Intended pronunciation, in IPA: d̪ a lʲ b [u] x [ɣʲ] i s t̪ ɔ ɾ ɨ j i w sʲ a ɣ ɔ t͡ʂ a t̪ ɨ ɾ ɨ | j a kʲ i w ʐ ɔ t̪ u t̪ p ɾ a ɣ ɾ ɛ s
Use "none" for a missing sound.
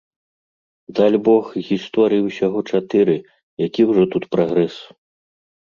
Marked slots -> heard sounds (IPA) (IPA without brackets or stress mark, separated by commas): ɔ, ɣʲ